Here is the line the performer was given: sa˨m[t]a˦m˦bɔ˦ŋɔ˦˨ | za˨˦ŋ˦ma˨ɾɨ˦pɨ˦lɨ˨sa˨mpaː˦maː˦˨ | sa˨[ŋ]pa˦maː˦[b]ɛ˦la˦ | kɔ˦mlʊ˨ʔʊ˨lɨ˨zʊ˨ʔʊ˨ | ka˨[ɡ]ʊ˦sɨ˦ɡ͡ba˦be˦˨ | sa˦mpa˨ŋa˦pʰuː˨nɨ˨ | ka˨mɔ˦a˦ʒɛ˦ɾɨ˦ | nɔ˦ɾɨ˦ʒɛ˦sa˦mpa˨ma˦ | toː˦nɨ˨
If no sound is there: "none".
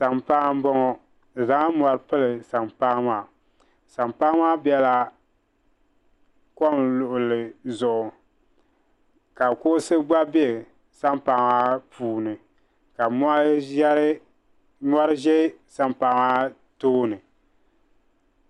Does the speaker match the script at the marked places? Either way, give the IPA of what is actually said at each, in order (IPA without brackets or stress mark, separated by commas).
p, m, b, k